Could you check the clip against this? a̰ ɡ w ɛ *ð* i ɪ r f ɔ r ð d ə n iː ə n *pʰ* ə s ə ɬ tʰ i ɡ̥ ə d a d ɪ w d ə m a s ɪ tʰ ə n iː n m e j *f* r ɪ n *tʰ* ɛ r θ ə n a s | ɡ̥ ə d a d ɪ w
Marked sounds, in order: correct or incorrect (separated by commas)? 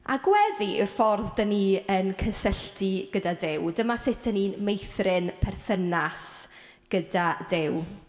correct, incorrect, incorrect, incorrect